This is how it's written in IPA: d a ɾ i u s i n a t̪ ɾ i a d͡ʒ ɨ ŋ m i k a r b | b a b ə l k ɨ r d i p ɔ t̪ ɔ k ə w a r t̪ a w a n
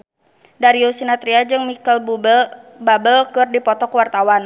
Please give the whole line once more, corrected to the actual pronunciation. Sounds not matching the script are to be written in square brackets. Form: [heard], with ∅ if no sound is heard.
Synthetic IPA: d a ɾ i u s i n a t̪ ɾ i a d͡ʒ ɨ ŋ m i k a [l] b | b a b ə l k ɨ r d i p ɔ t̪ ɔ k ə w a r t̪ a w a n